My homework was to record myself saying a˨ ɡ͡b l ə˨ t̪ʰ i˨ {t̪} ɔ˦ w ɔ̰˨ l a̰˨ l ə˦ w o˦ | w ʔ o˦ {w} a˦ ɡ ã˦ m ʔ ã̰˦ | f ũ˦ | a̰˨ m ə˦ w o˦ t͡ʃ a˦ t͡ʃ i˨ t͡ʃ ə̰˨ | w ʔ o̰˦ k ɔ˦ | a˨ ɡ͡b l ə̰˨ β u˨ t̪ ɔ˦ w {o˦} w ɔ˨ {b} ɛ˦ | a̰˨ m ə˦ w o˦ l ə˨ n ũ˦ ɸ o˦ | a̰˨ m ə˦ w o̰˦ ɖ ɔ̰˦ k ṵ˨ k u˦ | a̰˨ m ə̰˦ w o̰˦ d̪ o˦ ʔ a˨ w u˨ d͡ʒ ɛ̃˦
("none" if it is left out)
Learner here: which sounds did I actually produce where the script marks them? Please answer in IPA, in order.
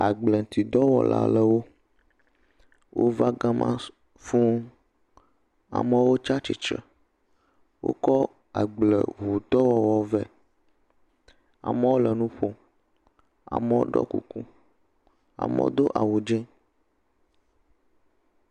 d̪, v, ɔ˦, v

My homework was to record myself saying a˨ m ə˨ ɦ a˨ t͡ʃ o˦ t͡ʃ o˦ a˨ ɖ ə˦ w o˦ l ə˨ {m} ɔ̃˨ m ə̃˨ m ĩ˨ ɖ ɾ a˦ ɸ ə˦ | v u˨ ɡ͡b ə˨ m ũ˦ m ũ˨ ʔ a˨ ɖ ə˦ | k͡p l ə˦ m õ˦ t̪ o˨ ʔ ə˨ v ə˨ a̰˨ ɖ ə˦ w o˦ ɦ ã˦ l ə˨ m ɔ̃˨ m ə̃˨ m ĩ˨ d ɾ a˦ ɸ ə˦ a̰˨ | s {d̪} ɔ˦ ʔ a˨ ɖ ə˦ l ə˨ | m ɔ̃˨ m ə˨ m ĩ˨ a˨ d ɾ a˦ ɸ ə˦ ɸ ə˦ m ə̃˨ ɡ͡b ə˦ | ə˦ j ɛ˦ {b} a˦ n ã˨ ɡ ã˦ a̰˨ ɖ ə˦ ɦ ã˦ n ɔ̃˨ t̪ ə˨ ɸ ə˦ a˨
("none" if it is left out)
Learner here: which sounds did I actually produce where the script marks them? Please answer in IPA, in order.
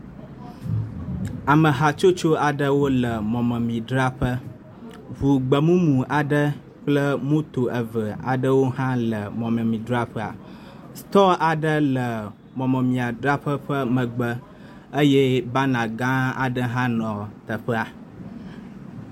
m, t̪, b

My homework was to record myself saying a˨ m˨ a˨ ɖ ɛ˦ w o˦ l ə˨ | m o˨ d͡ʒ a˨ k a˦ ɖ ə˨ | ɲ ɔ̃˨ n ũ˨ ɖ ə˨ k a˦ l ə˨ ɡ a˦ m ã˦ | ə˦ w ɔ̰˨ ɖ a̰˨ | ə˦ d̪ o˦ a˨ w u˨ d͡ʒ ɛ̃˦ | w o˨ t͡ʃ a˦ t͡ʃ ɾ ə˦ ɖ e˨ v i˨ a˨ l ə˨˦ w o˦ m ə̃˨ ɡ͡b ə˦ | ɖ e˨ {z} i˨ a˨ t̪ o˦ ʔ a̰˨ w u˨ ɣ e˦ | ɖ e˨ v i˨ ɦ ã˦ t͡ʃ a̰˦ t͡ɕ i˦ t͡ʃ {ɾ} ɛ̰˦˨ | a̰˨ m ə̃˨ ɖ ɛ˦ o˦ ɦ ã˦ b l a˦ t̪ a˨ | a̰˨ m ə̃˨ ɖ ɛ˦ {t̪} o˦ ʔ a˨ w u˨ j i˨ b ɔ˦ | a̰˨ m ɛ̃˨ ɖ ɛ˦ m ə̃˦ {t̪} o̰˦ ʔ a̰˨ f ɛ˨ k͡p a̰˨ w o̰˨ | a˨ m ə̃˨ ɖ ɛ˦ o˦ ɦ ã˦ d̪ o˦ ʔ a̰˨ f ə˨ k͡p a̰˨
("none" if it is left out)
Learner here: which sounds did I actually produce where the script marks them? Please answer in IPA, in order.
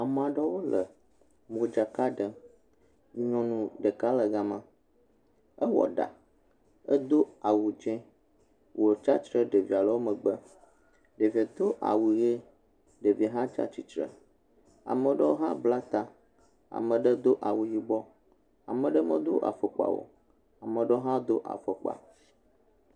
v, ɾ, d̪, d̪

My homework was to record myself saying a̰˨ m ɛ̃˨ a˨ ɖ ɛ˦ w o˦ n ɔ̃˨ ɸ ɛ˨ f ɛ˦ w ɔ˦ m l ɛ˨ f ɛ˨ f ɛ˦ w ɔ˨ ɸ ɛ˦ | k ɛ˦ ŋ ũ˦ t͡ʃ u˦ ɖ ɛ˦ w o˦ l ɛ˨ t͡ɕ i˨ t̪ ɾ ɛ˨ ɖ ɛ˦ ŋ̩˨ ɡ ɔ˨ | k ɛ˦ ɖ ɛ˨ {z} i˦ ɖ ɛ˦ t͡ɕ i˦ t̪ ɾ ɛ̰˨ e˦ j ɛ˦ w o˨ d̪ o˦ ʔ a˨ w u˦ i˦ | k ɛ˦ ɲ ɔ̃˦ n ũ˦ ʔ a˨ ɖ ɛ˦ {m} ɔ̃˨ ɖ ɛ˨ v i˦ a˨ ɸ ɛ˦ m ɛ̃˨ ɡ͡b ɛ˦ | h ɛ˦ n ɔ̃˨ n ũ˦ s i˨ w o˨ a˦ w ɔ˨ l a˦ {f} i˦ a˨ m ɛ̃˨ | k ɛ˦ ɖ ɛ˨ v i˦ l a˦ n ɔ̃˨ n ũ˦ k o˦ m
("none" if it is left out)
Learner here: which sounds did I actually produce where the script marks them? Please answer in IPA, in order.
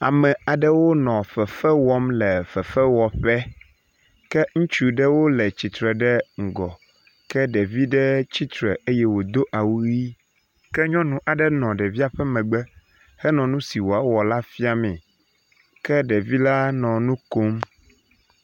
v, n, f

